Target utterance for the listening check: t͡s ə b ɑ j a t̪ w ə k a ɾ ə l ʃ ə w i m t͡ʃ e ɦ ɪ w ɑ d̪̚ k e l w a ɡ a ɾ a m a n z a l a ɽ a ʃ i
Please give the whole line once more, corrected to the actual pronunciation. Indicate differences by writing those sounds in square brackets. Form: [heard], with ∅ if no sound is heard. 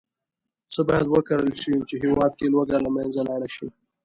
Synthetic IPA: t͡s ə b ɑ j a [d̪] w ə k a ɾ ə l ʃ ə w i m t͡ʃ e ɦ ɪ w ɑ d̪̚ k e l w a ɡ a [l] a m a n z a l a ɽ a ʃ i

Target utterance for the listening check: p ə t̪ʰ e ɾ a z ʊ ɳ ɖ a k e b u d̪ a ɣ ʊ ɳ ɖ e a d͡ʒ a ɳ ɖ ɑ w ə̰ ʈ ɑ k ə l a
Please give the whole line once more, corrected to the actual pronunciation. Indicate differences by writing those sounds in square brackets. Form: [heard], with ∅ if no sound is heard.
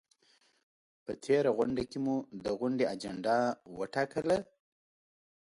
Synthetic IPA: p ə t̪ʰ e ɾ a [ɣ] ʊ ɳ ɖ a k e [m] u d̪ [ə] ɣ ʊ ɳ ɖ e a d͡ʒ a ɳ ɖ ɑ w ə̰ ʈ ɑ k ə l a

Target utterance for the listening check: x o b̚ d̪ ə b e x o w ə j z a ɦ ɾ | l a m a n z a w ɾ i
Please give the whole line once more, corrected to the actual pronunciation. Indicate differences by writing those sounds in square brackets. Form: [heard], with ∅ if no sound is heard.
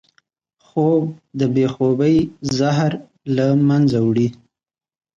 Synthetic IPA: x o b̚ d̪ ə b e x o [b] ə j z a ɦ ɾ | l a m a n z a w [ɽ] i

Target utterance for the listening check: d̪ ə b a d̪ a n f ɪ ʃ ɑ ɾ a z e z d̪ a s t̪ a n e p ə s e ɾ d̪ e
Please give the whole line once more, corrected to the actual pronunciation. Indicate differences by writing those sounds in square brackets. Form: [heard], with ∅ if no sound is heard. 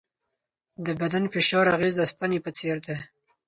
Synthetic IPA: d̪ ə b a d̪ a n f ɪ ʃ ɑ ɾ a [ɣ] e z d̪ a s t̪ a n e p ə [t͡s] e ɾ d̪ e

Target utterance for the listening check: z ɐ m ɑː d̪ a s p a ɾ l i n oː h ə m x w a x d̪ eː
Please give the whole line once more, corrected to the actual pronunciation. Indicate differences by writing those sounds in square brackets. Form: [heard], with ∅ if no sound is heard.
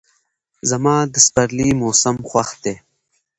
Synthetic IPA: z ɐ m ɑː d̪ [ə] s p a ɾ l i [m] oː [s] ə m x w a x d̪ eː

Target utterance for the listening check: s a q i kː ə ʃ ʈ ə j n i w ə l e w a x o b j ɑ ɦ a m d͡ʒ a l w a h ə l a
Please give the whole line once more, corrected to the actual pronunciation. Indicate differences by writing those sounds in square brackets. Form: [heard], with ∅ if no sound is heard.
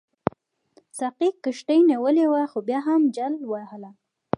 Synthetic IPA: s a q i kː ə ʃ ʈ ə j n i w ə l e w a x o b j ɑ ɦ a m d͡ʒ a l w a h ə l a

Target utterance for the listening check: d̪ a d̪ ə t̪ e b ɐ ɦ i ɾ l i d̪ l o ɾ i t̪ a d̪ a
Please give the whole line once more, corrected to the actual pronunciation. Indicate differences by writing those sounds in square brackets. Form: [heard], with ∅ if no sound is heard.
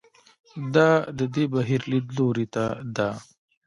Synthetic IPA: d̪ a d̪ ə [d̪] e b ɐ ɦ i ɾ l i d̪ l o ɾ i t̪ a d̪ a

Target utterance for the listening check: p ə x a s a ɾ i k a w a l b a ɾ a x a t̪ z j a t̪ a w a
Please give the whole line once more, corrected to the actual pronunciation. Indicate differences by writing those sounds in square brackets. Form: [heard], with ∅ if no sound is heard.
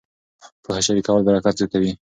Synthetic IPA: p ə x a [ʃ] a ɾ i k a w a l b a ɾ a [k] a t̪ z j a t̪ a w [i]

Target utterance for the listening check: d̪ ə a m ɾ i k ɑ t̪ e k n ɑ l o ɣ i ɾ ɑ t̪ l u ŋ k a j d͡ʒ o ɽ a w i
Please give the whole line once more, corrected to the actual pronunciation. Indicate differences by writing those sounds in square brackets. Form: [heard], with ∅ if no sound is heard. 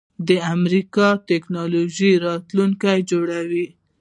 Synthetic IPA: d̪ ə a m ɾ i k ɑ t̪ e k n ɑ l o [ʒ] i ɾ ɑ t̪ l u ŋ k a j d͡ʒ o ɽ a w i

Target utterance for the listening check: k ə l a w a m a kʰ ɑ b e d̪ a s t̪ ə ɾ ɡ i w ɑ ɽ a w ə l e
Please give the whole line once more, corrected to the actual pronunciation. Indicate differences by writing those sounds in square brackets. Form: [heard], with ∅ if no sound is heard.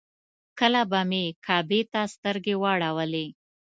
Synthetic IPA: k ə l a [b] a m [e] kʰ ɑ b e [t̪] a s t̪ ə ɾ ɡ [e] w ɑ ɽ a w ə l e

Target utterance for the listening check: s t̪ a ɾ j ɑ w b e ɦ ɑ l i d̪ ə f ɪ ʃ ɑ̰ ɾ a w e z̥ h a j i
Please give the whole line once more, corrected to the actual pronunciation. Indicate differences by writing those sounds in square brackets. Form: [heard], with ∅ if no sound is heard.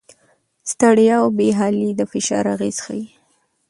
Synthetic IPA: s t̪ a [ɽ] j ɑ w b e ɦ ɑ l i d̪ ə f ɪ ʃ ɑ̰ ɾ a [ɣ] e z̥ [x] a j i

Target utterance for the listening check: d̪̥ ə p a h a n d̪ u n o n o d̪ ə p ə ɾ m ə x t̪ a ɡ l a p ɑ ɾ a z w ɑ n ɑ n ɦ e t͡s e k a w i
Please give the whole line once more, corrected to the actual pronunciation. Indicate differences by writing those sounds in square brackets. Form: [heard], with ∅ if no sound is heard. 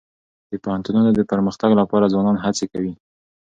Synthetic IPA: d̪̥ ə p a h a n [t̪] u n [u] n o d̪ ə p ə ɾ m ə x t̪ a ɡ l a p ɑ ɾ a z w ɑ n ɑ n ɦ [a] t͡s e k a w i

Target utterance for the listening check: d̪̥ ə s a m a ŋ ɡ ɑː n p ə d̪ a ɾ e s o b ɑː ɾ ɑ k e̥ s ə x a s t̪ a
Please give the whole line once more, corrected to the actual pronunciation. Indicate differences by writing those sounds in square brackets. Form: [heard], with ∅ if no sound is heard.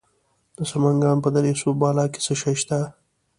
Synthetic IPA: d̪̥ ə s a m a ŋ ɡ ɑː n p ə d̪ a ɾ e s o b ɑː [l] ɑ k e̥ s ə [ʃ] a [ʃ] t̪ a

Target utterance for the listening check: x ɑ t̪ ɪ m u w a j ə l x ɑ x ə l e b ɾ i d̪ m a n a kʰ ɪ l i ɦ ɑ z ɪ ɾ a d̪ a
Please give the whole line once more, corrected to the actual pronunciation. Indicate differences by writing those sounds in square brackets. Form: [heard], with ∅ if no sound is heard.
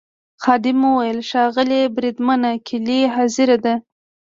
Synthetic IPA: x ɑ [d̪] ɪ m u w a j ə l [ʃ] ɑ [ɣ] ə l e b ɾ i d̪ m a n a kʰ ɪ l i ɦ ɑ z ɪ ɾ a d̪ a

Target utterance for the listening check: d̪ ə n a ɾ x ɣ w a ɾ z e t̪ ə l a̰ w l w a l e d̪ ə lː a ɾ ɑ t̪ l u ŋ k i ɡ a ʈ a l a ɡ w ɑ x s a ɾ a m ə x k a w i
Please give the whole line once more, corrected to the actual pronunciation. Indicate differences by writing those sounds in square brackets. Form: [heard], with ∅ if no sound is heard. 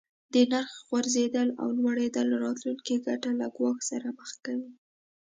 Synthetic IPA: d̪ ə n a ɾ x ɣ w a ɾ z e [d̪] ə l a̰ w l w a [ɽ] e d̪ ə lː a ɾ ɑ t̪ l u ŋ k i ɡ a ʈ a l a ɡ w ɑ x s a ɾ a m ə x k a w i

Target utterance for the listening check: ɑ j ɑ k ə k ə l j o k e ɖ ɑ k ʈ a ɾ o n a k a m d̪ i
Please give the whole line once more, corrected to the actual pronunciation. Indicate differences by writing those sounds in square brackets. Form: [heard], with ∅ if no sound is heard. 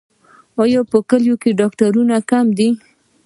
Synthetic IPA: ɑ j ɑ [p] ə k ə l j o k e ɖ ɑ k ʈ a ɾ [u] n a k a m d̪ i

